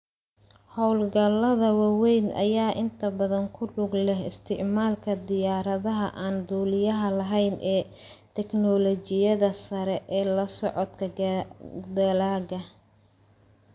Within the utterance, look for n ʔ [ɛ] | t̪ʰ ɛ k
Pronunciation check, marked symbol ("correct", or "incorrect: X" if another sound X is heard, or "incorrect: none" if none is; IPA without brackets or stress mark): incorrect: ɛː